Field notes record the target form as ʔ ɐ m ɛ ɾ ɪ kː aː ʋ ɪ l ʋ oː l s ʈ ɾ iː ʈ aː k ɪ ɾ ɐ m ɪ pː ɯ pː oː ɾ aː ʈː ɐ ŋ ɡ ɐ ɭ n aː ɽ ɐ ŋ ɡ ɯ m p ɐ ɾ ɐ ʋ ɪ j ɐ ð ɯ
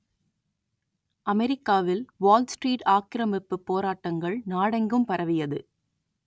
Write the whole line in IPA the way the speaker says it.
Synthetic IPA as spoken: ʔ ɐ m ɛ ɾ ɪ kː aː ʋ ɪ l ʋ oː l s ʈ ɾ iː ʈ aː k ɪ ɾ ɐ m ɪ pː ɯ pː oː ɾ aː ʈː ɐ ŋ ɡ ɐ ɭ n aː ɽ ɐ ŋ ɡ ɯ m p ɐ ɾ ɐ ʋ ɪ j ɐ ð ɯ